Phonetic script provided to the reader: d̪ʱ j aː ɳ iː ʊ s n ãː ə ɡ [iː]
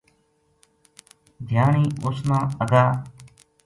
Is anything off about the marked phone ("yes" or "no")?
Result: yes